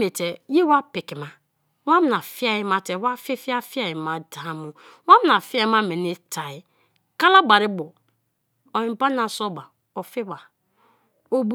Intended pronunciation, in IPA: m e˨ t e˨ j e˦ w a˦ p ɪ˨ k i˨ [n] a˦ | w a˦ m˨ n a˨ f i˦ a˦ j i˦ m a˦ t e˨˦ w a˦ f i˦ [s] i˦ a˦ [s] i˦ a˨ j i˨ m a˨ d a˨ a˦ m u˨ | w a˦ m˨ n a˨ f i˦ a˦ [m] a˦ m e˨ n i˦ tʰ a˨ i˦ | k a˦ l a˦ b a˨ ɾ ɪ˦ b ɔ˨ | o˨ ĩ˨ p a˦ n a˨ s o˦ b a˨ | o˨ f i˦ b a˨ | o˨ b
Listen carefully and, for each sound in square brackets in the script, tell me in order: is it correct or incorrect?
incorrect, incorrect, incorrect, correct

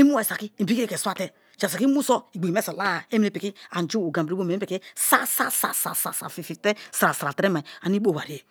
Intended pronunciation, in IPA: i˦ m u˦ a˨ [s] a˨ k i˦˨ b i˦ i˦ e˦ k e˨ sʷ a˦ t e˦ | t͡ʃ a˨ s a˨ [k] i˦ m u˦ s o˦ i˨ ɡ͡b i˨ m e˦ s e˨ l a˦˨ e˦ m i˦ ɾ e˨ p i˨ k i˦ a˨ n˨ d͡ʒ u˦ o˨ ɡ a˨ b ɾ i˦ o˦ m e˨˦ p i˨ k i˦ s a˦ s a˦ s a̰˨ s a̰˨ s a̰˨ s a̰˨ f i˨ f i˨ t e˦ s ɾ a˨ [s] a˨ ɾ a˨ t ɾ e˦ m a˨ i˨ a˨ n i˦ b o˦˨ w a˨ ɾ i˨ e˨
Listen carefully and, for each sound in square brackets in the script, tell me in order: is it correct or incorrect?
correct, correct, correct

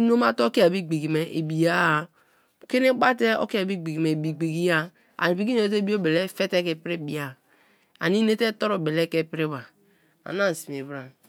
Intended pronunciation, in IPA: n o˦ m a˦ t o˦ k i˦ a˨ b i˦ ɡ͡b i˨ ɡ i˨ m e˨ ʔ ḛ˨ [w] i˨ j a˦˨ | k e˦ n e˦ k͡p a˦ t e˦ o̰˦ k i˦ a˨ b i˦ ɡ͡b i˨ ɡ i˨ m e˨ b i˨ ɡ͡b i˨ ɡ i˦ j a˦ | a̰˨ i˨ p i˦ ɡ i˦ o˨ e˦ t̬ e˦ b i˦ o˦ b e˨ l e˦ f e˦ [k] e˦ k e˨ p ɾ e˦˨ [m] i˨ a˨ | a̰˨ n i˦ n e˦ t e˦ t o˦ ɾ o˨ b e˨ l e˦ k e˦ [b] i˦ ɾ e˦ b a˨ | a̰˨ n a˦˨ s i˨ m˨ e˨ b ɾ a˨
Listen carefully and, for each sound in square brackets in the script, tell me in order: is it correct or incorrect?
incorrect, incorrect, incorrect, incorrect

